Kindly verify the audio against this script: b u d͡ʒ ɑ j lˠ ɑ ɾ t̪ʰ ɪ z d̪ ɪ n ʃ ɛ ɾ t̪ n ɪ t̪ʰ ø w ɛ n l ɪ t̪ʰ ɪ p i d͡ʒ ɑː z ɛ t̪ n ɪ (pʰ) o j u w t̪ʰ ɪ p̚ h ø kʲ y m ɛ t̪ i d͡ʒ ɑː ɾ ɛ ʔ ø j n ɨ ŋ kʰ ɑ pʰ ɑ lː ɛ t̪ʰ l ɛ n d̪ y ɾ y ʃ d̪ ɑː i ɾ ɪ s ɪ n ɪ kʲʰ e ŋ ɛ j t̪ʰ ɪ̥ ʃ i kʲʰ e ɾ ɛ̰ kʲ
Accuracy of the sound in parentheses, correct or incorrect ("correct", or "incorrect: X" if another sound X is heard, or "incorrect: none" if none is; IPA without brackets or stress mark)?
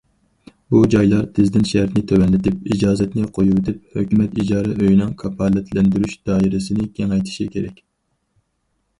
incorrect: qʰ